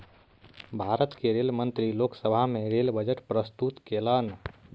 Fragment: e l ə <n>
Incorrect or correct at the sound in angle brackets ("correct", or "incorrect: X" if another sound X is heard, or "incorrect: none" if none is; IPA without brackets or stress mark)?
correct